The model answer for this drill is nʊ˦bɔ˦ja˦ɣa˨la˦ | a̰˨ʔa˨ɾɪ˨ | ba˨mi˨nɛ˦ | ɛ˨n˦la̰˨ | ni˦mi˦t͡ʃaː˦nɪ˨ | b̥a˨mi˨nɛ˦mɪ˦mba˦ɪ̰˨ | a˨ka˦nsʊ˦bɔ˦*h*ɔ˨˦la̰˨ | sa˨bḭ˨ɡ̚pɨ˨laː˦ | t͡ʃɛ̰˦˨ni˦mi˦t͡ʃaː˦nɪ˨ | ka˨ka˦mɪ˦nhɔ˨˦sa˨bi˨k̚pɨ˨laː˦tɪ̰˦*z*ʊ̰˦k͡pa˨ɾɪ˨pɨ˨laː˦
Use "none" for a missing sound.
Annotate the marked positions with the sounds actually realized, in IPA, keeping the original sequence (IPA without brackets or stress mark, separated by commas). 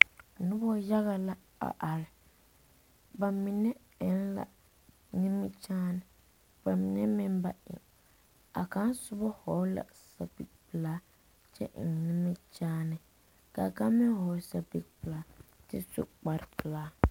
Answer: h, s